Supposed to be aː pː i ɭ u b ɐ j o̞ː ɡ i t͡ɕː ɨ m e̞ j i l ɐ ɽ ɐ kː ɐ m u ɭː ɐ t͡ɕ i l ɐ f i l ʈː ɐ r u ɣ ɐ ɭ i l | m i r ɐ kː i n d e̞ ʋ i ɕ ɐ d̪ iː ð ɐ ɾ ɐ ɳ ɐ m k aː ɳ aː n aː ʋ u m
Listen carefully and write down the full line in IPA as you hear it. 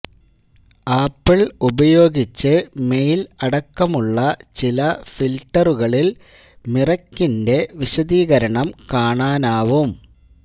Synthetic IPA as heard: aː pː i ɭ u b ɐ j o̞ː ɡ i t͡ɕː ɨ m e̞ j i l ɐ ɽ ɐ kː ɐ m u ɭː ɐ t͡ɕ i l ɐ f i l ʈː ɐ r u ɣ ɐ ɭ i l | m i r ɐ kː i n d e̞ ʋ i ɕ ɐ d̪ iː ɣ ɐ ɾ ɐ ɳ ɐ m k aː ɳ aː n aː ʋ u m